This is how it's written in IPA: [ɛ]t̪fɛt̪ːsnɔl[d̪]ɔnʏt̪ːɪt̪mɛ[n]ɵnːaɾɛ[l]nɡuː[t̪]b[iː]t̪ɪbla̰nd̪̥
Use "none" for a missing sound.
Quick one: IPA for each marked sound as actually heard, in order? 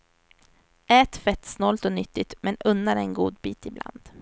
ɛː, t̪, n, none, d̪, iː

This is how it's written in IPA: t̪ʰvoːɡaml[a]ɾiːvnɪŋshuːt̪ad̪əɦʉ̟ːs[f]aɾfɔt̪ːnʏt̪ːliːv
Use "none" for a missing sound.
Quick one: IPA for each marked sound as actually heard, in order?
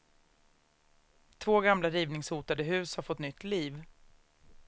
a, h

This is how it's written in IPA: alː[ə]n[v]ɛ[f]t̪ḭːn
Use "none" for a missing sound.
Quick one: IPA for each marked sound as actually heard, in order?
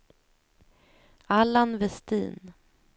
a, v, s

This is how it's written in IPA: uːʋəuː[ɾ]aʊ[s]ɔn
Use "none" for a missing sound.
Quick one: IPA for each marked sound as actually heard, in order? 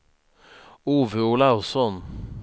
l, s

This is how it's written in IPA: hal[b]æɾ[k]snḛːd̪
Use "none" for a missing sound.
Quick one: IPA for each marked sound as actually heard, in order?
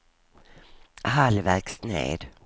v, k

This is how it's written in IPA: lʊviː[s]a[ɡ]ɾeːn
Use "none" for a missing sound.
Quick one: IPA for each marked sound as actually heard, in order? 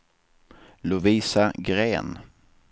s, ɡ

